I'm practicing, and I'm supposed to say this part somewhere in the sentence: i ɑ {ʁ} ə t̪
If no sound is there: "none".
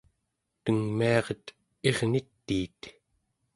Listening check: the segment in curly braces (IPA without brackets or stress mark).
ʁ